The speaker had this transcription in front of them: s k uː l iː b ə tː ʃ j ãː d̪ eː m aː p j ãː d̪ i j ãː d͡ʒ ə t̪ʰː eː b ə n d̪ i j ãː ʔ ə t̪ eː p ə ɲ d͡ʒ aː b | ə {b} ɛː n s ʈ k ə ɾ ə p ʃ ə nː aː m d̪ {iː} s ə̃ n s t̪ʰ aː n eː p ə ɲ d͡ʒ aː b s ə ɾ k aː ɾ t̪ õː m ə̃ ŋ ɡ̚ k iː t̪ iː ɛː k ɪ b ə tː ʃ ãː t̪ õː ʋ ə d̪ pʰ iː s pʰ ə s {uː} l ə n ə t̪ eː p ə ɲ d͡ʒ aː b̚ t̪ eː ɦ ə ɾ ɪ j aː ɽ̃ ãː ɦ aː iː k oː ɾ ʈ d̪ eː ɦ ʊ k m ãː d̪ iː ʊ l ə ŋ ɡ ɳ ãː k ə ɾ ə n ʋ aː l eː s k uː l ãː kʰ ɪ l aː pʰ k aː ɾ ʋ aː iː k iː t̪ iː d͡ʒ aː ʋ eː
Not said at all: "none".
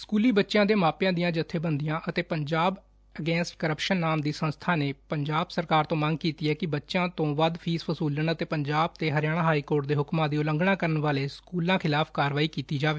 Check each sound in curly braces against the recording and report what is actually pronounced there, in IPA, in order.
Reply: ɡ, iː, uː

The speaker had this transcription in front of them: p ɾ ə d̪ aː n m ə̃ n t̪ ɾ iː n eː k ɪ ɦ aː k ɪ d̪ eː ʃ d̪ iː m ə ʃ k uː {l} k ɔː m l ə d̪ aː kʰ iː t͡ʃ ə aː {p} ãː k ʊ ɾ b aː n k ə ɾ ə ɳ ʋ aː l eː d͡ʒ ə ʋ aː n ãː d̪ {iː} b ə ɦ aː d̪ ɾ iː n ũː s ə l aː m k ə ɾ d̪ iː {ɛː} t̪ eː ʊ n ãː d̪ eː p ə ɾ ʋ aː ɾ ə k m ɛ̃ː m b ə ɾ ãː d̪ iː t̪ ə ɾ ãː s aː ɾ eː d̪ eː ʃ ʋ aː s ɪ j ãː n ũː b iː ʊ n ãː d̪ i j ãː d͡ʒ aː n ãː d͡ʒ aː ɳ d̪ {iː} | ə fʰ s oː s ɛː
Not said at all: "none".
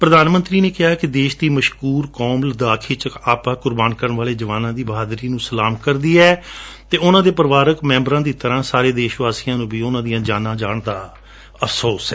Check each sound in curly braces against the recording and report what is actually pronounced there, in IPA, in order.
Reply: ɾ, p, iː, ɛː, aː

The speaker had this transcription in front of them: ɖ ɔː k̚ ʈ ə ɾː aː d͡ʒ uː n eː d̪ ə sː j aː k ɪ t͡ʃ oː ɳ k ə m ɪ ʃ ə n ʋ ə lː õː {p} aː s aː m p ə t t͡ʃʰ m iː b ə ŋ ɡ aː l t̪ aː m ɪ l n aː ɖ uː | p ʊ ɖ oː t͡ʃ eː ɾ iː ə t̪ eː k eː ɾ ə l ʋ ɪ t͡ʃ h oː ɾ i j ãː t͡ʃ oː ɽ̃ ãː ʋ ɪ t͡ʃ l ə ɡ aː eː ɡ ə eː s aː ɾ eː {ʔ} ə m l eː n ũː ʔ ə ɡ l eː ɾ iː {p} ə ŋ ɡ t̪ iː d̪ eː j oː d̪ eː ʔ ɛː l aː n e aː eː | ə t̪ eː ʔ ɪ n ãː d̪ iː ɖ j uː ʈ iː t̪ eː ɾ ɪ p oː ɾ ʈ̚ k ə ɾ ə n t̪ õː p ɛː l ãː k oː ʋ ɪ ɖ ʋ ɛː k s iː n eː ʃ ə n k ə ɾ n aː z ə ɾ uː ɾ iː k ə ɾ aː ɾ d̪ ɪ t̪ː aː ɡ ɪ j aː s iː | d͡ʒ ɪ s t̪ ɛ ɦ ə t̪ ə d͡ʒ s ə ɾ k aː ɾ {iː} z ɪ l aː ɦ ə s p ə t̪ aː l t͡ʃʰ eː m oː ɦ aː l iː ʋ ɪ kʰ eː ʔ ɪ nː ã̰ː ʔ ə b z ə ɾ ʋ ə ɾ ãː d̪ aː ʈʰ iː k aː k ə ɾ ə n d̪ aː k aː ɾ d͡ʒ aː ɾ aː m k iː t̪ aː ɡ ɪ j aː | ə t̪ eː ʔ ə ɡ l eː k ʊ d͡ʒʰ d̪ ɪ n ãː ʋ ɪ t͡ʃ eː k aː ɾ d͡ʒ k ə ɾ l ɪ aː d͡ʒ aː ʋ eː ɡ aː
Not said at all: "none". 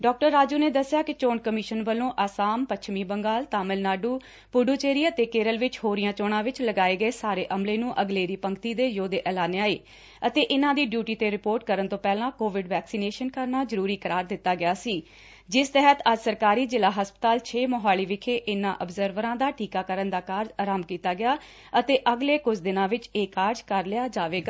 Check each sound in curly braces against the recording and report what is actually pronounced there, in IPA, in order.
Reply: ʔ, ʔ, p, iː

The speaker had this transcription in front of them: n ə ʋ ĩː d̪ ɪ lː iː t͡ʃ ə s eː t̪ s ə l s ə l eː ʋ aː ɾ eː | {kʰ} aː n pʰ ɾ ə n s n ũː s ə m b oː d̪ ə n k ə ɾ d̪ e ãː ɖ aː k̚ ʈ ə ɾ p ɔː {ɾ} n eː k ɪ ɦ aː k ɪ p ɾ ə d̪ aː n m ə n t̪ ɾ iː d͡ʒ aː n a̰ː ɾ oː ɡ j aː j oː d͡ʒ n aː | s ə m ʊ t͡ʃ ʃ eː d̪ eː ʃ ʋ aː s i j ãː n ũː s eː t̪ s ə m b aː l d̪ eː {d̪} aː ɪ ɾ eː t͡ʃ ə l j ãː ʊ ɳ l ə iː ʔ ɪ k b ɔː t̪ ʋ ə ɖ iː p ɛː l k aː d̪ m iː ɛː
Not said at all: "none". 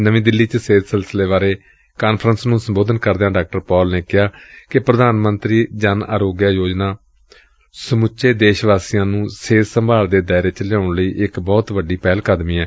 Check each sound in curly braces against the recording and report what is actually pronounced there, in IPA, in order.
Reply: k, l, d̪

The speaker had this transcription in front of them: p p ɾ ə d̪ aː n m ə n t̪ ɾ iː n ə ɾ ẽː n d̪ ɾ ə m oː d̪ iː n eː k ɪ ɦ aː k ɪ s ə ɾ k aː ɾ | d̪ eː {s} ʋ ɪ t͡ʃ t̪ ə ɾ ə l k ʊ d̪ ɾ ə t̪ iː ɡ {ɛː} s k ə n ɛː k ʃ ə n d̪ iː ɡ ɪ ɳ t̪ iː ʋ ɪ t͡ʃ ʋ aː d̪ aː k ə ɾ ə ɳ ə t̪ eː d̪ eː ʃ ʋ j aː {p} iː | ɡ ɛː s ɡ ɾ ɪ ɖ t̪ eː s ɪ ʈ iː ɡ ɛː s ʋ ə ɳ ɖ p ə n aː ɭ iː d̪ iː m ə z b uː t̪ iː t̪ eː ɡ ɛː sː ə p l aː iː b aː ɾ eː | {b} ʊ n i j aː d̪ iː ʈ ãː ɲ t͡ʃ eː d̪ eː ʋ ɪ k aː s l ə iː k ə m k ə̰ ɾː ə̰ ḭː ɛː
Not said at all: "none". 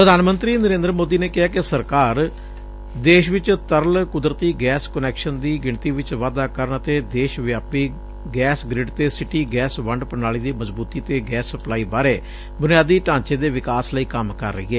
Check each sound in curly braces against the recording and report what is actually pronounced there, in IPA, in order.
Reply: ʃ, ɛː, p, b

